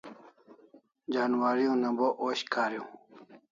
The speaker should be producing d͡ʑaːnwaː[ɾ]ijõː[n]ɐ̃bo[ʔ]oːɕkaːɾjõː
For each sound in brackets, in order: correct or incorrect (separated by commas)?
correct, correct, correct